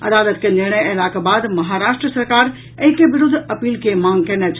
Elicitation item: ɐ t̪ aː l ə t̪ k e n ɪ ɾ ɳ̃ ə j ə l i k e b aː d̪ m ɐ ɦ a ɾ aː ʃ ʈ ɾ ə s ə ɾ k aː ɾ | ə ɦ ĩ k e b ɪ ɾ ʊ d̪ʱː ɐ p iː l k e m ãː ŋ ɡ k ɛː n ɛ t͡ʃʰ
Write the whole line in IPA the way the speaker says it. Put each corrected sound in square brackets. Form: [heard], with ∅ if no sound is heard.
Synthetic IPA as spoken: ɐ [d̪] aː l ə t̪ k e n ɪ ɾ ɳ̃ ə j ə l [a] k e b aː d̪ m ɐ ɦ a ɾ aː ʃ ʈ ɾ ə s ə ɾ k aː ɾ | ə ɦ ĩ k e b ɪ ɾ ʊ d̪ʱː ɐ p iː l k e m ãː ŋ ɡ k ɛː n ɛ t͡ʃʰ